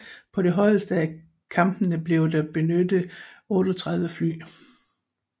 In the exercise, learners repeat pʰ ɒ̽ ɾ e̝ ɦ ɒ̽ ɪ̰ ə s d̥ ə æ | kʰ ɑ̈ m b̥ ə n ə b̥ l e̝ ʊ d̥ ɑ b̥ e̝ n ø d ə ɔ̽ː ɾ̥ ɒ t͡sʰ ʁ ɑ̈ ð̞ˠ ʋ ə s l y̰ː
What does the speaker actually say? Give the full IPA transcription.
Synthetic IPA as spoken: pʰ ɒ̽ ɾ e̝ ɦ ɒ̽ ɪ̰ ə s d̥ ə æ | kʰ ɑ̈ m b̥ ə n ə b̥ l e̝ ʊ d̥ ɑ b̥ e̝ n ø d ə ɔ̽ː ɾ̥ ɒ t͡sʰ ʁ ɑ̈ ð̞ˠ ʋ ə f l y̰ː